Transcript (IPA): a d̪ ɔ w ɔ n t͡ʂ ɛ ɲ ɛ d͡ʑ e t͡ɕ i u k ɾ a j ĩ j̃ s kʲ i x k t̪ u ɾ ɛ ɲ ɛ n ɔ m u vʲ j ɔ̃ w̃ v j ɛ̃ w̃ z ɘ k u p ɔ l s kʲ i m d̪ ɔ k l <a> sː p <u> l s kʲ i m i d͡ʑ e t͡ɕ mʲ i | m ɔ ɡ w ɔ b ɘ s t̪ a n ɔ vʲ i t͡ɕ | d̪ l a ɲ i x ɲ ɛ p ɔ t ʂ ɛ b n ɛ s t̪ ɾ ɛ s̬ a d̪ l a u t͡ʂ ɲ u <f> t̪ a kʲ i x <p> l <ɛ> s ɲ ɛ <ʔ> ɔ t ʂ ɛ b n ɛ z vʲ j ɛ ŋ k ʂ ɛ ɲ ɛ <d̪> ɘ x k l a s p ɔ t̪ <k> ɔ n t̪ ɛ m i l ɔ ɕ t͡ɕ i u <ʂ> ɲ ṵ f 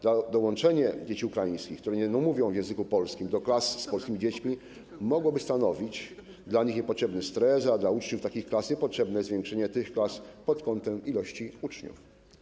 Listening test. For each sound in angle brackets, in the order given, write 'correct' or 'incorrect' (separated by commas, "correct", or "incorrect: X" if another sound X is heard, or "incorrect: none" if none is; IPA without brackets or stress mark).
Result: correct, incorrect: ɔ, correct, incorrect: k, incorrect: a, incorrect: p, incorrect: t̪, correct, incorrect: t͡ʂ